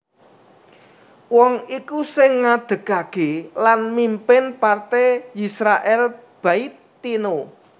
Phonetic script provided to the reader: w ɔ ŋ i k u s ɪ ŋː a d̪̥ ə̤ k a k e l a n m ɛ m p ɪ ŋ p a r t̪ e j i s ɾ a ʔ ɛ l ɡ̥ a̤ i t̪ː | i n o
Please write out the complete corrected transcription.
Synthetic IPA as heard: w ɔ ŋ i k u s ɪ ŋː a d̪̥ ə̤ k a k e l a n m i m p ɪ n p a r t̪ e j i s ɾ a ʔ ɛ l b̥ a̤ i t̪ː | i n o